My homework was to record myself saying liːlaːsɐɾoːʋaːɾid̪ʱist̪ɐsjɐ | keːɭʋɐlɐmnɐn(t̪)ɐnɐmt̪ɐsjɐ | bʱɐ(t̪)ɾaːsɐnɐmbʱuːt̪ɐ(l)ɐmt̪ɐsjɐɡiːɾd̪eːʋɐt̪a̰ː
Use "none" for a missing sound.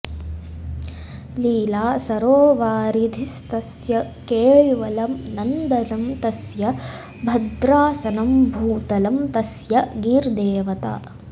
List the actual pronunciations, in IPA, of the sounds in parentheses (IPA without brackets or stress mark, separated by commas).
d̪, d̪, l